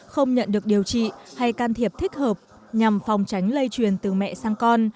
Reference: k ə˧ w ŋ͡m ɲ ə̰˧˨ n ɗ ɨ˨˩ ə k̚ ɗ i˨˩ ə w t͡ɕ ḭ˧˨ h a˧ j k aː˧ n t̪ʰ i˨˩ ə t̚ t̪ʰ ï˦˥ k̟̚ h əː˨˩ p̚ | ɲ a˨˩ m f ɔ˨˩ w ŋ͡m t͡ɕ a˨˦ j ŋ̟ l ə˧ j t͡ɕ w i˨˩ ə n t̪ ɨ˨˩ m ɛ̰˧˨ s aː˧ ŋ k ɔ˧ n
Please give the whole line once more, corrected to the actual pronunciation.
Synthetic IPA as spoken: x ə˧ w ŋ͡m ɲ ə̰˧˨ n ɗ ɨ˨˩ ə k̚ ɗ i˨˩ ə w t͡ɕ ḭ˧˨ h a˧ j k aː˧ n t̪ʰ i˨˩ ə p̚ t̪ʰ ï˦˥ k̟̚ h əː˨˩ p̚ | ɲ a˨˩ m f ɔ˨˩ w ŋ͡m t͡ɕ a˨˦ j ŋ̟ l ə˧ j t͡ɕ w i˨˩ ə n t̪ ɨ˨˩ m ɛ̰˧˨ s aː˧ ŋ k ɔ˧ n